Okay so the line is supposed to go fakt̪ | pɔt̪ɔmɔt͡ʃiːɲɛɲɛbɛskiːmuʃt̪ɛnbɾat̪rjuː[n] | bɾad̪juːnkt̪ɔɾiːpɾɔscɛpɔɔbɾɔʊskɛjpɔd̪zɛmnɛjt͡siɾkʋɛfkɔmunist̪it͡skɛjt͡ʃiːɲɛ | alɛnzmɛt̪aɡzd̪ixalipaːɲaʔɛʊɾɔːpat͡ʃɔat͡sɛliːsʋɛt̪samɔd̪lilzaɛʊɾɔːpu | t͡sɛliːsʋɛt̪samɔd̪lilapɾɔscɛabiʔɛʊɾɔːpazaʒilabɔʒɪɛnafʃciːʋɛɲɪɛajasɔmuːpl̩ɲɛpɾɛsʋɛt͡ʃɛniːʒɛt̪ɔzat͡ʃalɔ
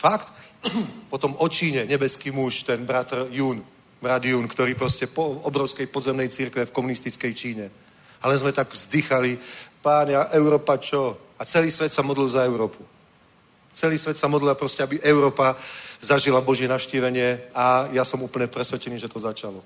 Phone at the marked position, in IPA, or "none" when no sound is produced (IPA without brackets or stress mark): n